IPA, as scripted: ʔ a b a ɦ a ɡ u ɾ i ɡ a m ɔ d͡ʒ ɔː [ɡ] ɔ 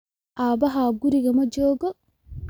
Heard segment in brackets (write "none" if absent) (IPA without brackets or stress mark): ɡ